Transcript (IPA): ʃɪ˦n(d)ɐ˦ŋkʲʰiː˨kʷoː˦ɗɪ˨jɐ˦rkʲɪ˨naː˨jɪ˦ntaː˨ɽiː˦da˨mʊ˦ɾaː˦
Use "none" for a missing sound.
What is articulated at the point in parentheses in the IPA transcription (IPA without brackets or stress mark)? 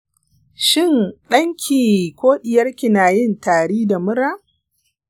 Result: ɗ